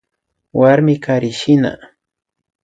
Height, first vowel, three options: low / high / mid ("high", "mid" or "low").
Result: low